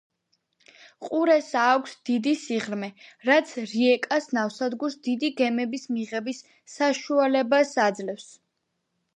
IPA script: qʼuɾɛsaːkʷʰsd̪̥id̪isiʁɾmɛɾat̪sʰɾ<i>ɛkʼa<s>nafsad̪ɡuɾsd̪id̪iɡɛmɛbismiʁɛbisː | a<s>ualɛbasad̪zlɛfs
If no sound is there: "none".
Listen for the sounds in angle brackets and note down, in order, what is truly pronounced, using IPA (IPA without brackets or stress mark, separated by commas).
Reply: i, s, ʃ